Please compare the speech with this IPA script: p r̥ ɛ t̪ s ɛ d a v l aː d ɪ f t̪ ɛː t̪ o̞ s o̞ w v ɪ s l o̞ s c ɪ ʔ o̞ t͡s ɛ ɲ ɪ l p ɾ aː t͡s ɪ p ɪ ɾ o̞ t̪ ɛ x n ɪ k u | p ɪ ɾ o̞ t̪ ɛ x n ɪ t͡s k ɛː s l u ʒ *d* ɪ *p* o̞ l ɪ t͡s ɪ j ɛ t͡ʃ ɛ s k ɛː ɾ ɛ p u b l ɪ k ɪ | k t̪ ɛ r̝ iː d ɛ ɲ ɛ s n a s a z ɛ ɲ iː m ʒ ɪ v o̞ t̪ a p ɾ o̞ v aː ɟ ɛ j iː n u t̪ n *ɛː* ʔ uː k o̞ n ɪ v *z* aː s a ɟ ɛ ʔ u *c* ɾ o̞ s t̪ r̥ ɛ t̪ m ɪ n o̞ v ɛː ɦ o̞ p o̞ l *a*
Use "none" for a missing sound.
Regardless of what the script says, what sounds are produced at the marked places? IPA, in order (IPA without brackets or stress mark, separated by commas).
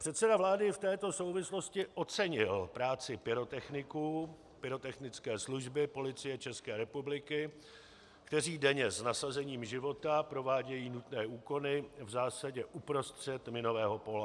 b, p, ɛː, z, p, a